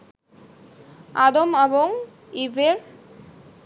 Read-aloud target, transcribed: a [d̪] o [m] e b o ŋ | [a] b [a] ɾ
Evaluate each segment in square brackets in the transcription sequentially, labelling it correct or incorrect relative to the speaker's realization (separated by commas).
correct, correct, incorrect, incorrect